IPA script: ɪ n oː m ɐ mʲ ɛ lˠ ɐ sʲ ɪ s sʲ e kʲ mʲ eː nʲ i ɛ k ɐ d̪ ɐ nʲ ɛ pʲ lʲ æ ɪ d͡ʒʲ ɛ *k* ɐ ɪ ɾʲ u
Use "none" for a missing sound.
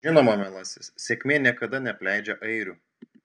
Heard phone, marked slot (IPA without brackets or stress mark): ʔ